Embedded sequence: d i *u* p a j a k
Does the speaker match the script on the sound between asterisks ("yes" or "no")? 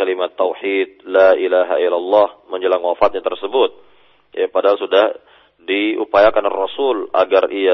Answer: yes